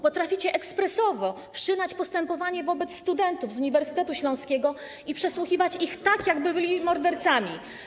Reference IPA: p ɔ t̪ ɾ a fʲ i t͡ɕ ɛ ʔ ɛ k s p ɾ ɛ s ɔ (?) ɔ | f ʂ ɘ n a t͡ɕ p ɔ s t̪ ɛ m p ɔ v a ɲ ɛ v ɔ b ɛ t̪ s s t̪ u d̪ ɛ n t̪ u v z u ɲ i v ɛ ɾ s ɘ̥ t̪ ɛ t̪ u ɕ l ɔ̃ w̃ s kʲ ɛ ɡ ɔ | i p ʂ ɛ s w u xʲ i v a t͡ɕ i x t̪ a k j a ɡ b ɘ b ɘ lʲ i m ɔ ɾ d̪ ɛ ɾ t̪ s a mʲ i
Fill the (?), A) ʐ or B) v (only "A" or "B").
B